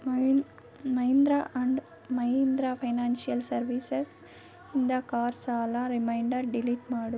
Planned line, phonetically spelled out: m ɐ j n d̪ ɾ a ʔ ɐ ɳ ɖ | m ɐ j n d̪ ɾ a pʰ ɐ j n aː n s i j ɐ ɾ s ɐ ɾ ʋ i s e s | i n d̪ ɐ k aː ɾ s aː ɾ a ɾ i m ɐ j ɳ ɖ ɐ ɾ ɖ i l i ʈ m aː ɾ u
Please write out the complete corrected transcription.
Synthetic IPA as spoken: m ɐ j n d̪ ɾ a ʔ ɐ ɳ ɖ | m ɐ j n d̪ ɾ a pʰ ɐ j n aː n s i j ɐ l s ɐ ɾ ʋ i s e s | i n d̪ ɐ k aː ɾ s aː l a ɾ i m ɐ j ɳ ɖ ɐ ɾ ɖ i l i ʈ m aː ɽ u